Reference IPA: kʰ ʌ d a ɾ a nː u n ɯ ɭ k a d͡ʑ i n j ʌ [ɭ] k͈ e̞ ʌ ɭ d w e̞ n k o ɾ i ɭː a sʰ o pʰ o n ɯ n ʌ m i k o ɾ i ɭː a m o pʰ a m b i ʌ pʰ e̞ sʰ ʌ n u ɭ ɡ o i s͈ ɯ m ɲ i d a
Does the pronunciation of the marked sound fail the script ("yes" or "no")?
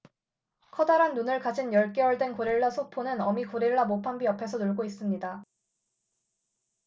no